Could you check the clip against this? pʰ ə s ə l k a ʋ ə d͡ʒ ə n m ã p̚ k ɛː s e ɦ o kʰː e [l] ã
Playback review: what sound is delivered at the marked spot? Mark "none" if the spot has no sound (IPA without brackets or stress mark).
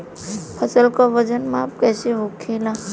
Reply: l